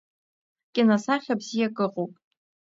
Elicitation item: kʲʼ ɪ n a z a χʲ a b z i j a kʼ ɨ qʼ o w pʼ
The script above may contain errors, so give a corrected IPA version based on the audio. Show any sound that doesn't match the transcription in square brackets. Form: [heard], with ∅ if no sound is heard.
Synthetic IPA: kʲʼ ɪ n a [s] a χʲ a b z i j a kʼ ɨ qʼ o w pʼ